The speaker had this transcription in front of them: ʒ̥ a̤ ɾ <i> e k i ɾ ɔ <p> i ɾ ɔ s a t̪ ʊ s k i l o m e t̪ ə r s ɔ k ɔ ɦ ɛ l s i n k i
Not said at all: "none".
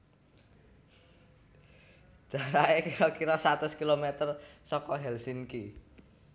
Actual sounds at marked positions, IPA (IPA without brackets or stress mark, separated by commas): a, k